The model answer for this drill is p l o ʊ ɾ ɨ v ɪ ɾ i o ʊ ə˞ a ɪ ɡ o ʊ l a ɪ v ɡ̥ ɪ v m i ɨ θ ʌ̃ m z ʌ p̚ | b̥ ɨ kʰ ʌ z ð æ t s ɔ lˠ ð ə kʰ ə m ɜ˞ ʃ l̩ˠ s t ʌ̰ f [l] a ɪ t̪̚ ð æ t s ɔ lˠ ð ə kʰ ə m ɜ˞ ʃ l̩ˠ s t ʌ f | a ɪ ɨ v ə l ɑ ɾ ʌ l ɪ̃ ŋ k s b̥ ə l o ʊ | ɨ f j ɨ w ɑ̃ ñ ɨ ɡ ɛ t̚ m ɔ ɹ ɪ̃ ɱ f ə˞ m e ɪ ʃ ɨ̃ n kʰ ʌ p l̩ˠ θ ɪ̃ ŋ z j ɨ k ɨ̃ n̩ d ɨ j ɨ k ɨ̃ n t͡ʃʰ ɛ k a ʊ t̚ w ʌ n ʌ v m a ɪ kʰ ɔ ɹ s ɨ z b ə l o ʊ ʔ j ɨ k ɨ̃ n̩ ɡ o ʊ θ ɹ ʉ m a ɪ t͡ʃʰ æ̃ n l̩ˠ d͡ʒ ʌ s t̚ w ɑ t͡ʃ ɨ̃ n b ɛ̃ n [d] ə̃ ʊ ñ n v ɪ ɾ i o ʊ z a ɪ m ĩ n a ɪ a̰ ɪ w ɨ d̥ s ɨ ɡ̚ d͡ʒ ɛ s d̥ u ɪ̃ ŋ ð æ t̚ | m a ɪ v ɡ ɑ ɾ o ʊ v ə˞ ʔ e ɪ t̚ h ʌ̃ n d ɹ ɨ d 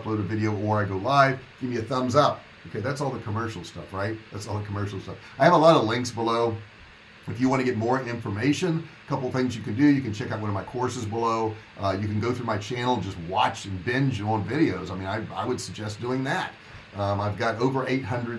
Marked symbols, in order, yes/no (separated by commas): no, no